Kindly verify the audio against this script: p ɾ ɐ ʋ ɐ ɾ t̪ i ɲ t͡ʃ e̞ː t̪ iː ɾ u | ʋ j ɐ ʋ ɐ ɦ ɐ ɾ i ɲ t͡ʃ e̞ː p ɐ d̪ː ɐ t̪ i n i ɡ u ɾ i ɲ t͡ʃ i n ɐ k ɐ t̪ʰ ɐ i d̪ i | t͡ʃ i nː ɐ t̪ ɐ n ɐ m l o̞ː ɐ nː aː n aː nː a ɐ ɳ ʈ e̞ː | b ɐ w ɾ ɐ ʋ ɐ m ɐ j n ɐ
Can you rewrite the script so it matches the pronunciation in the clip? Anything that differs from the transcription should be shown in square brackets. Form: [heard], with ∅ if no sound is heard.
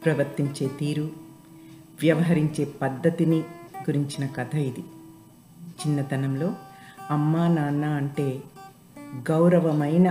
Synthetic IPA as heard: p ɾ ɐ ʋ ɐ ɾ t̪ i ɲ t͡ʃ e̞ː t̪ iː ɾ u | ʋ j ɐ ʋ ɐ ɦ ɐ ɾ i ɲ t͡ʃ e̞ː p ɐ d̪ː ɐ t̪ i n i ɡ u ɾ i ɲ t͡ʃ i n ɐ k ɐ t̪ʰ ɐ i d̪ i | t͡ʃ i nː ɐ t̪ ɐ n ɐ m l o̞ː ɐ [mː] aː n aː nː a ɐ ɳ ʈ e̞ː | [ɡ] ɐ w ɾ ɐ ʋ ɐ m ɐ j n ɐ